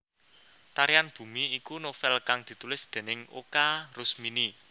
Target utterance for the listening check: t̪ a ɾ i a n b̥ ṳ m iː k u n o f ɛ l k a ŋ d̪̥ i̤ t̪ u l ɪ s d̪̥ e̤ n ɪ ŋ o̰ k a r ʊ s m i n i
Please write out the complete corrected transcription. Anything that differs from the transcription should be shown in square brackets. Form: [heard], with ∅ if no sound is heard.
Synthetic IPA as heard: t̪ a ɾ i a n b̥ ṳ m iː k u n o f ɛ l k a ŋ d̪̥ i̤ t̪ u l ɪ s d̪̥ e̤ n ɪ ŋ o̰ k a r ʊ s m i n i

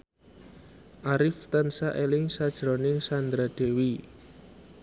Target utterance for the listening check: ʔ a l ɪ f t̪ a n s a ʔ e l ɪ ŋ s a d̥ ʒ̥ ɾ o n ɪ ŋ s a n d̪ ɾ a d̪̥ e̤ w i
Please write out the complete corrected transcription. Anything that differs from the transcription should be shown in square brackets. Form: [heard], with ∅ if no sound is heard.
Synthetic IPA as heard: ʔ a [ɾ] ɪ f t̪ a n s a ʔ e l ɪ ŋ s a d̥ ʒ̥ ɾ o n ɪ ŋ s a n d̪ ɾ a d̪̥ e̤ w i

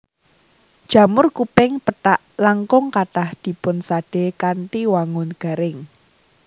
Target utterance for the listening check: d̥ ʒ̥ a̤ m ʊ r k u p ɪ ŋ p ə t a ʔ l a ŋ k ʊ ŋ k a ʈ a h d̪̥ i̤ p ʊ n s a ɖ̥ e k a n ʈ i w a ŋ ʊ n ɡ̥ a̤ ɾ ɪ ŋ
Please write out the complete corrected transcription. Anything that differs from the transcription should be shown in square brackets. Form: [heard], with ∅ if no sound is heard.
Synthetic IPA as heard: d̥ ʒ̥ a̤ m ʊ r k u p ɪ ŋ p ə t a ʔ l a ŋ k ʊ ŋ k a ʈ a h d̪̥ i̤ p ʊ n s a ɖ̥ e k a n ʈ i w a ŋ ʊ n ɡ̥ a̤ ɾ ɪ ŋ

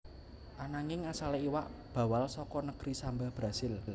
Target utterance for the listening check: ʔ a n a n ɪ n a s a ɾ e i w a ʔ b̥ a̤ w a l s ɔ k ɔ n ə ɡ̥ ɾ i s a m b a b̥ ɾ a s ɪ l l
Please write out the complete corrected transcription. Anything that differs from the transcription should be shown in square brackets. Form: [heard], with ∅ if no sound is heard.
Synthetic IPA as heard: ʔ a n a [ŋ] ɪ [ŋ] a s a [l] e i w a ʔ b̥ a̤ w a l s ɔ k ɔ n ə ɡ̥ ɾ i s a m b a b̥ ɾ a s ɪ l l

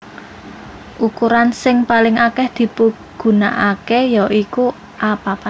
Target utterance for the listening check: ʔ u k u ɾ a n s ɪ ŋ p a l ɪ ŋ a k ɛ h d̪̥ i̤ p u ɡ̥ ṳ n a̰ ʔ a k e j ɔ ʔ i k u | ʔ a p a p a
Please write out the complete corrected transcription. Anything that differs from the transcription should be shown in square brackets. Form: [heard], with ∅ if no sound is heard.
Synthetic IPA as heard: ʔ u k u ɾ a n s ɪ ŋ p a l ɪ ŋ a k ɛ h d̪̥ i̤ p u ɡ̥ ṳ n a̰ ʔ a k e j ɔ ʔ i k u | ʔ a p a p a

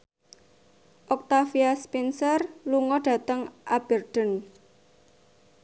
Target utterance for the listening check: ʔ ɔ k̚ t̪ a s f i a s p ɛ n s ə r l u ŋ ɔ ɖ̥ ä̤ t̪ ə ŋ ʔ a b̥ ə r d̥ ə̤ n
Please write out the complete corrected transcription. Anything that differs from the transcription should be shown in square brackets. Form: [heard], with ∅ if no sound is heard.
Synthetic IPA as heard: ʔ ɔ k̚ t̪ a [∅] f i a s p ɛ n s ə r l u ŋ ɔ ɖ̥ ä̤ t̪ ə ŋ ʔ a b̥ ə r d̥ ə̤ n

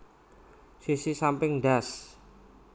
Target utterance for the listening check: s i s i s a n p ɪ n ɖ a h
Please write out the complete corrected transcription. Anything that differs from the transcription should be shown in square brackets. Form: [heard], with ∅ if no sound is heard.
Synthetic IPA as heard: s i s i s a [m] p ɪ [ŋ] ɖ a [s]

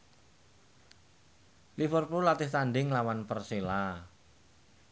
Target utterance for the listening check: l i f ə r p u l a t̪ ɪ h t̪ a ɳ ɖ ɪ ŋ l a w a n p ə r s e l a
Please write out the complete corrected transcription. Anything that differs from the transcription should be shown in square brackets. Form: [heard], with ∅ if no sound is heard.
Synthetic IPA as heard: l i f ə r p u l a t̪ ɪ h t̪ a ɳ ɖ ɪ ŋ l a w a n p ə r s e l a

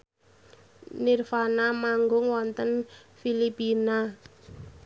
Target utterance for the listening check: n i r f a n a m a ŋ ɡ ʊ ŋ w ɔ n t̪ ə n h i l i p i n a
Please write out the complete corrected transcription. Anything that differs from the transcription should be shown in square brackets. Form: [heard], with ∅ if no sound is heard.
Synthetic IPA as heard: n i r f a n a m a ŋ ɡ ʊ ŋ w ɔ n t̪ ə n [f] i l i p i n a

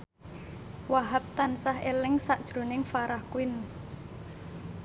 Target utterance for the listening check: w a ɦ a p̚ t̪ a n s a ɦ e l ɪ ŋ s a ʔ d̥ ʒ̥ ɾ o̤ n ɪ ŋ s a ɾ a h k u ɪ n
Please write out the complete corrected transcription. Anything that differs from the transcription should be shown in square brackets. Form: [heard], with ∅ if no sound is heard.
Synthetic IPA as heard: w a ɦ a p̚ t̪ a n s a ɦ e l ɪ ŋ s a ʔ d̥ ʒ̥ ɾ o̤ n ɪ ŋ [f] a ɾ a h k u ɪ n

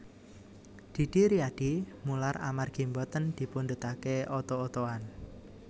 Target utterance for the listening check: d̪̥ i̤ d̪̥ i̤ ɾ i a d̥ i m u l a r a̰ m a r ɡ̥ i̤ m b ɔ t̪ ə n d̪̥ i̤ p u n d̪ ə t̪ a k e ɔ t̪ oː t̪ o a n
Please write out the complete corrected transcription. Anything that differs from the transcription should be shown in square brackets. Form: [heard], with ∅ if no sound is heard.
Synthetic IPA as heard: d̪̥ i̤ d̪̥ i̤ ɾ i a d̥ i m u l a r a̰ m a r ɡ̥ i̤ m b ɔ t̪ ə n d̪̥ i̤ p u n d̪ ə t̪ a k e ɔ t̪ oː t̪ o a n

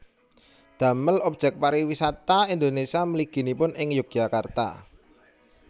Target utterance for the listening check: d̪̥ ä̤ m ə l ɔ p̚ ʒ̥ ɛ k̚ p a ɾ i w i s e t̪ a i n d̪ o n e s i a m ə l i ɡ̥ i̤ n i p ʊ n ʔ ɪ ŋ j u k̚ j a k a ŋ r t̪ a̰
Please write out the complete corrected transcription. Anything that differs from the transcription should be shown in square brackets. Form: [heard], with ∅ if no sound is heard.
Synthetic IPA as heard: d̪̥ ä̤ m ə l ɔ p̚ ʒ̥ ɛ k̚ p a ɾ i w i s [a] t̪ a i n d̪ o n e s i a m ə l i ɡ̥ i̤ n i p ʊ n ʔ ɪ ŋ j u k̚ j a k a [∅] r t̪ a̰

